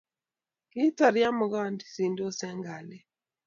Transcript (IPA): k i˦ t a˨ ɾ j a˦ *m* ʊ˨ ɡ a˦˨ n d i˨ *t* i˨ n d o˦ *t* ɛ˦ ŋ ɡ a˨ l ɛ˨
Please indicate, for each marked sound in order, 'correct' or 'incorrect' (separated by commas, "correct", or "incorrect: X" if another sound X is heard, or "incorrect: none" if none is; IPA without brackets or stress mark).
correct, incorrect: s, incorrect: s